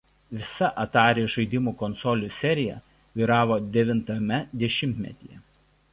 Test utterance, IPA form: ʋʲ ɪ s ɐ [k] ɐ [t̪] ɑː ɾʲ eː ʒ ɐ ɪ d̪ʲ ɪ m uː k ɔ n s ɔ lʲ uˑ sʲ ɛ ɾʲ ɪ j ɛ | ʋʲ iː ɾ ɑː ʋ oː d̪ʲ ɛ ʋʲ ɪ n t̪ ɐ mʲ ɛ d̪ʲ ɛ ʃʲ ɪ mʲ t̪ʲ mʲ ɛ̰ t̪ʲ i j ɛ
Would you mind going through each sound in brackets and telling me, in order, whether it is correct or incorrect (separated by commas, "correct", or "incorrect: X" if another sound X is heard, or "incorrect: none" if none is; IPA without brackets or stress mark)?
incorrect: ʔ, correct